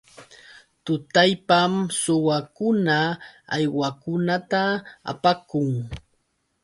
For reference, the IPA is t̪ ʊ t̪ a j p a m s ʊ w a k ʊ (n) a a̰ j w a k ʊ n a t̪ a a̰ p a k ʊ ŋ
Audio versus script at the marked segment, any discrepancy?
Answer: no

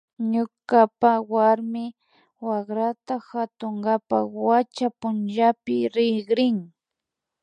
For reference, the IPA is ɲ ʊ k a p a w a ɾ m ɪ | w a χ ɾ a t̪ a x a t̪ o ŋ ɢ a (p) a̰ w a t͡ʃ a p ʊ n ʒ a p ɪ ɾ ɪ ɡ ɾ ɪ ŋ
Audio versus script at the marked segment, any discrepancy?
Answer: no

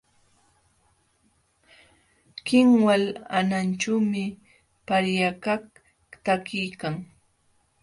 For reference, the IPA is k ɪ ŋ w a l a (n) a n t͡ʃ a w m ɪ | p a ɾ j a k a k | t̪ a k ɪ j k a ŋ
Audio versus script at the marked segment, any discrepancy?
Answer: no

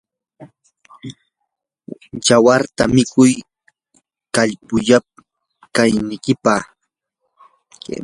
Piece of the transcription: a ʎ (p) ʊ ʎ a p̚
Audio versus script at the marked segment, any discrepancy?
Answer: no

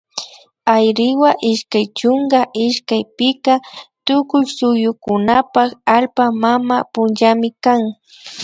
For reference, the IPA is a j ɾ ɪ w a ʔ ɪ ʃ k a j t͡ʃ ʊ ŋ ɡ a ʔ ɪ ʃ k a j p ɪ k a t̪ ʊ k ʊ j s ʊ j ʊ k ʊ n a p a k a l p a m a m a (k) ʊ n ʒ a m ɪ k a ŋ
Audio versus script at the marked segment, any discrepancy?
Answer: yes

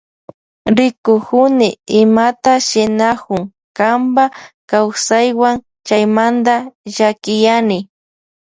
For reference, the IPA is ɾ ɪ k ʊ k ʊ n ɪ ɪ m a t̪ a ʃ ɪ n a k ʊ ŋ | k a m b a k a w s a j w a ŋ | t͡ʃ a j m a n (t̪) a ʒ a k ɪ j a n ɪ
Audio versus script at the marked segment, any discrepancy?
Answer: yes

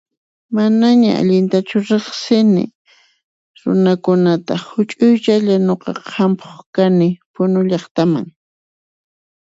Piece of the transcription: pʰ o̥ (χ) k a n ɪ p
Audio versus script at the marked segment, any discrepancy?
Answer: no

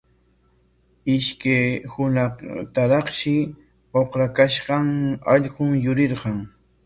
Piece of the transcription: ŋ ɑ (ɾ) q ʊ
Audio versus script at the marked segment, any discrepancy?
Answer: yes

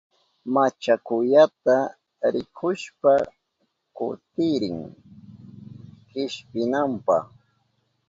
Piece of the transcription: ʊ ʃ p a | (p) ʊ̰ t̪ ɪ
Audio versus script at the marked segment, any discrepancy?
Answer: yes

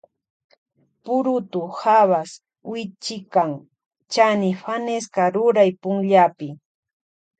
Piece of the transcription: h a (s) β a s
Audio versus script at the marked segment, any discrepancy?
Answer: yes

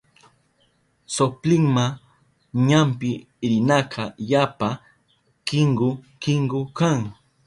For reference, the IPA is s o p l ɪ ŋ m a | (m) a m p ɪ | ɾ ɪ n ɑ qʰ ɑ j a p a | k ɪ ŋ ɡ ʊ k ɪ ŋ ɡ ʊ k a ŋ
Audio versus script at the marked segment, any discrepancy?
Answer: yes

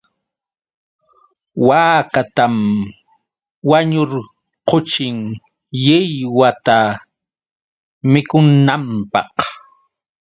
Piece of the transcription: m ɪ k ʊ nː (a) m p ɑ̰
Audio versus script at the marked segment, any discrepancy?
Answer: no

